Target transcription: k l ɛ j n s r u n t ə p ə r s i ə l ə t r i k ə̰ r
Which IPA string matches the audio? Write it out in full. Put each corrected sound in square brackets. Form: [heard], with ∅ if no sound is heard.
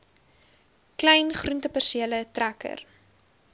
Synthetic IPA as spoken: k l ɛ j n [χ] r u n t ə p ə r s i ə l ə t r [æ] k ə̰ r